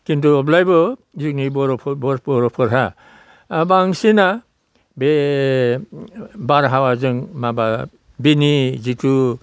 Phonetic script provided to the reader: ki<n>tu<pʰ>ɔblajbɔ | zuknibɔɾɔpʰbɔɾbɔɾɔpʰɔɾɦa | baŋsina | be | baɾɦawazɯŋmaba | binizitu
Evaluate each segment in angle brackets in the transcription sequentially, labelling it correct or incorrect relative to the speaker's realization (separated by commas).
correct, incorrect